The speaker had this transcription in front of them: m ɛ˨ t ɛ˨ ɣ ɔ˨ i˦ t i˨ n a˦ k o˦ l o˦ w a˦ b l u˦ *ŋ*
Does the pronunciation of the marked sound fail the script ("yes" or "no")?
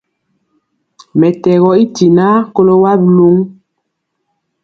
no